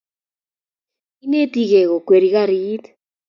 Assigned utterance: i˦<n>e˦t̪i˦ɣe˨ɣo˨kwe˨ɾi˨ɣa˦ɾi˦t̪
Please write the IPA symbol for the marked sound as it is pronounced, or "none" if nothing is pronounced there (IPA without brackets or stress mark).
n